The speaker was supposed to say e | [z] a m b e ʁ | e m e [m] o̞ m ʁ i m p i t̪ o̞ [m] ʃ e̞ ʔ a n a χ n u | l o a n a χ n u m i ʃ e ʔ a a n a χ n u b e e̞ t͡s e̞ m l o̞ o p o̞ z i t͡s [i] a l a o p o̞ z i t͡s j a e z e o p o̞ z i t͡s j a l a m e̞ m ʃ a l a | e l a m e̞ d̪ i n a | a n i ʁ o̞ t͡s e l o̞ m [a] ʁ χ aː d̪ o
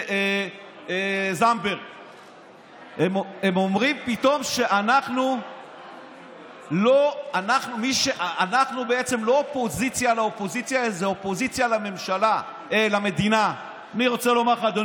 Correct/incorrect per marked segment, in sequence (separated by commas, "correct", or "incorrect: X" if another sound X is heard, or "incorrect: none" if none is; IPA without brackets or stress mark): correct, correct, correct, incorrect: j, correct